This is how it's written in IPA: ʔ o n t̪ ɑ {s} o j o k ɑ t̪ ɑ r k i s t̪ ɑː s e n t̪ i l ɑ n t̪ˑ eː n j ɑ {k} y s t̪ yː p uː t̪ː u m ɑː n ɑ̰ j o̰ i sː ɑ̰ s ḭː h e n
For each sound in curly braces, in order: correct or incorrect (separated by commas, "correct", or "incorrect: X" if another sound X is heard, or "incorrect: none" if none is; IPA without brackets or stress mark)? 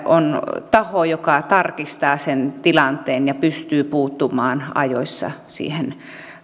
incorrect: h, incorrect: p